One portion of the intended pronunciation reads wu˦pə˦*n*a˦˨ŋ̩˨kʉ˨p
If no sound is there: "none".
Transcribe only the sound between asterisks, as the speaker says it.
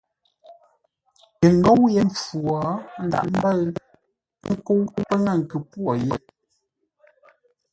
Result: ŋ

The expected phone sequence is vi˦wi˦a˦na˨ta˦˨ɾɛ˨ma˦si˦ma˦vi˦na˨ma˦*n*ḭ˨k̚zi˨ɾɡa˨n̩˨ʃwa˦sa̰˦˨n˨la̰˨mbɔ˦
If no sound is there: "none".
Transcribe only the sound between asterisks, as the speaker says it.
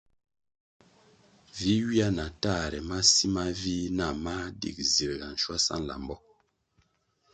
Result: d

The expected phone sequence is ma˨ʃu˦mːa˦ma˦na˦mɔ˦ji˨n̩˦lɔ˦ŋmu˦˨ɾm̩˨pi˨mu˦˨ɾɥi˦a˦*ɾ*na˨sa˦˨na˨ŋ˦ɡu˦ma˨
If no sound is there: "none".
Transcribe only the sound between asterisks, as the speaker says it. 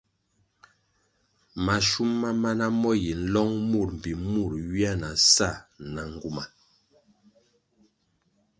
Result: none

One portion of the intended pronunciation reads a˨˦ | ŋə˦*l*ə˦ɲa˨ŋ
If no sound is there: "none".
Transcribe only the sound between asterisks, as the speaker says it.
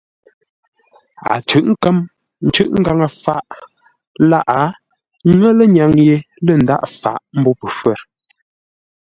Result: l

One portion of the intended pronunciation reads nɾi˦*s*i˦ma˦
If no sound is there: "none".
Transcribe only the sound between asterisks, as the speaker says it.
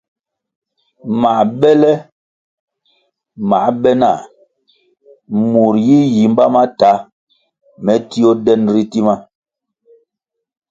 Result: t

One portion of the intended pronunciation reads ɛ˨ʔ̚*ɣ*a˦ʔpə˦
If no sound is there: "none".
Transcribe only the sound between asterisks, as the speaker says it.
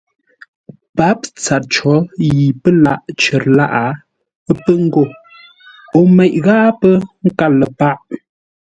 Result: ɣ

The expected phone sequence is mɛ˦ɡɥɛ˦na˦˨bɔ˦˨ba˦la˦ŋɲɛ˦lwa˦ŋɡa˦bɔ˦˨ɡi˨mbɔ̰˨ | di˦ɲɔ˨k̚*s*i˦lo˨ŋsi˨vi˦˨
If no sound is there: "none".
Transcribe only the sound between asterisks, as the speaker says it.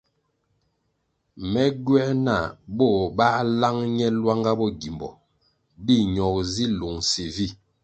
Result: z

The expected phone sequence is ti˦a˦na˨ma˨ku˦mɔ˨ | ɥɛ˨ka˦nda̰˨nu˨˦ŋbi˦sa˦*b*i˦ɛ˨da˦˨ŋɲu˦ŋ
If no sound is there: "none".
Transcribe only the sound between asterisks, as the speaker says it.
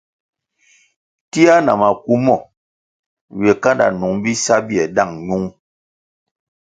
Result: b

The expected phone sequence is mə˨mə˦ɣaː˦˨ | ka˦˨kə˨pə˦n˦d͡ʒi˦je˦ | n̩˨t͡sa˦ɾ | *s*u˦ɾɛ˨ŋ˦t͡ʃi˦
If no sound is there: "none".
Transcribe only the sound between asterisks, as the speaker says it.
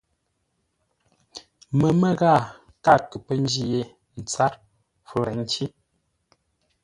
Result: f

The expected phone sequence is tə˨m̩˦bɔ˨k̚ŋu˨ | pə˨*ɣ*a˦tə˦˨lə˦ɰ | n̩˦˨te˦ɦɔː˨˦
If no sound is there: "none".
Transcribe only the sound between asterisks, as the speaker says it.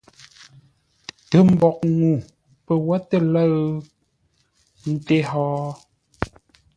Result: w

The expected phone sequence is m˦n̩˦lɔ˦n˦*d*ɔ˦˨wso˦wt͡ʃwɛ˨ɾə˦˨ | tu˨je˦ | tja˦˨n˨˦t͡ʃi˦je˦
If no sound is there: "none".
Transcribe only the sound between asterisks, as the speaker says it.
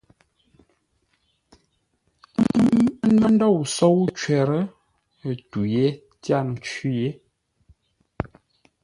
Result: d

